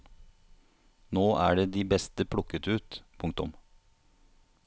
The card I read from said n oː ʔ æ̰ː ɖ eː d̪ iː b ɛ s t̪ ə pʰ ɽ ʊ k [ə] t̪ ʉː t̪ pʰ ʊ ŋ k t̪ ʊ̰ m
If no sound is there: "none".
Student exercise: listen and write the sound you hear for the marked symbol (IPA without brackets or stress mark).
ə